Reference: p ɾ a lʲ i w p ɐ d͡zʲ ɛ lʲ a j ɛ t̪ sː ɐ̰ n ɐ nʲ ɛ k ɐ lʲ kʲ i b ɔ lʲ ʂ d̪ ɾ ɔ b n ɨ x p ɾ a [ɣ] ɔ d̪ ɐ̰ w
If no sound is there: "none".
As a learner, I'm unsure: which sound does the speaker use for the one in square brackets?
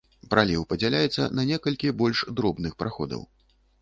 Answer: x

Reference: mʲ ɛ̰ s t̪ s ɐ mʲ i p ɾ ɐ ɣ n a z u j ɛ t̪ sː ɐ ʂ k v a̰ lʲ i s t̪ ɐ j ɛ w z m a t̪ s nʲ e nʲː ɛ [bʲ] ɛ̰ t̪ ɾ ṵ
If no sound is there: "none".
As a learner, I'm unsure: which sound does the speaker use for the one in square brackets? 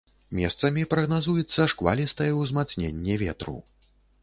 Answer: vʲ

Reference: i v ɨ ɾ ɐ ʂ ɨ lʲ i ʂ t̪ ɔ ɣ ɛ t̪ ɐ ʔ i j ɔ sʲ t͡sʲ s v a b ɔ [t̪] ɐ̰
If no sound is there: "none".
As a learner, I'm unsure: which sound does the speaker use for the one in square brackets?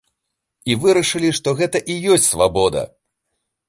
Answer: d̪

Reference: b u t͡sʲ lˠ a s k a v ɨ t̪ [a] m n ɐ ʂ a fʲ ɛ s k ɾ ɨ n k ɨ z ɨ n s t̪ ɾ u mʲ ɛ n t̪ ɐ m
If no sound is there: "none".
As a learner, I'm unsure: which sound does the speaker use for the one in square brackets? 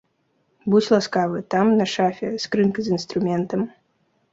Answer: a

